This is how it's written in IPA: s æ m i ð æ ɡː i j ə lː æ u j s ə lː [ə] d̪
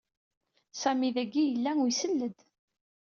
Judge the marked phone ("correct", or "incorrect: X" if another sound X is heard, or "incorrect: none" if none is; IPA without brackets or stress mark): correct